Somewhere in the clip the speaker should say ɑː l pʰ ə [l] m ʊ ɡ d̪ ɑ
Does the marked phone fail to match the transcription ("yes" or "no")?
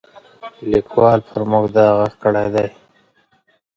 yes